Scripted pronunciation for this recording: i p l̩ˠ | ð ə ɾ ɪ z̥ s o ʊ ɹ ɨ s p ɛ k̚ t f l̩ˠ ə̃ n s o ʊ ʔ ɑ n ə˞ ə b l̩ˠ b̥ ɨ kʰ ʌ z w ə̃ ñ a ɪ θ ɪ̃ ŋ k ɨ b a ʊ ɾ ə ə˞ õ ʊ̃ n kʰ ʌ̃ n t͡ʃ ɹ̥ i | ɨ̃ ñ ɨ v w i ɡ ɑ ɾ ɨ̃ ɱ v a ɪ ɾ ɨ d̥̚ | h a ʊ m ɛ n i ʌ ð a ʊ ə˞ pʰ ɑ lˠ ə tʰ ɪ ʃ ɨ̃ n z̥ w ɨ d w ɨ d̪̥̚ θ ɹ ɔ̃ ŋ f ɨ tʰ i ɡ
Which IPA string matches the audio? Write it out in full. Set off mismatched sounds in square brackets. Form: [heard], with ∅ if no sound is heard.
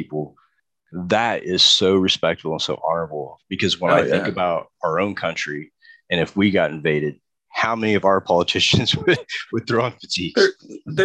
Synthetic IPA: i p l̩ˠ | ð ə ɾ ɪ z̥ s o ʊ ɹ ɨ s p ɛ k̚ t f l̩ˠ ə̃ n s o ʊ ʔ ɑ n ə˞ ə b l̩ˠ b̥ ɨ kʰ ʌ z w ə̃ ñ a ɪ θ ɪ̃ ŋ k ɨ b a ʊ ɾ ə ə˞ õ ʊ̃ n kʰ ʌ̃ n t͡ʃ ɹ̥ i | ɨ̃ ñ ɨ [f] w i ɡ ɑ ɾ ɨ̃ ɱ v [e] ɪ ɾ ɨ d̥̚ | h a ʊ m ɛ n i ʌ [v] a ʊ ə˞ pʰ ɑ lˠ ə tʰ ɪ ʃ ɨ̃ n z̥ w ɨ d w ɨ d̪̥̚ θ ɹ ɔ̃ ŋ f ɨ tʰ i ɡ